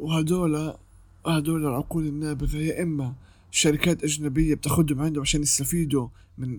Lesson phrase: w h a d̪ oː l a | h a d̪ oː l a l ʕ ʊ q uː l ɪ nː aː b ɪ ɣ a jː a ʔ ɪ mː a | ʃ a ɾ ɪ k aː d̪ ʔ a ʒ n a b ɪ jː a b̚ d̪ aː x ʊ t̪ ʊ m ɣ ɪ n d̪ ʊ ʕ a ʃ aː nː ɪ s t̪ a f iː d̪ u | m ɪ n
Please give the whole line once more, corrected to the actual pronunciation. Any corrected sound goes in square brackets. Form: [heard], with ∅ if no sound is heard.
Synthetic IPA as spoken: w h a d̪ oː l a | h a d̪ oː l a l ʕ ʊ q uː l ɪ nː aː b ɪ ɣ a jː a ʔ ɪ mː a | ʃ a ɾ ɪ k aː [t̪] ʔ a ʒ n a b ɪ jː a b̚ [t̪] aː x ʊ [d̪] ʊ m [ʕ] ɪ n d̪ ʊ ʕ a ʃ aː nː ɪ s t̪ a f iː d̪ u | m ɪ n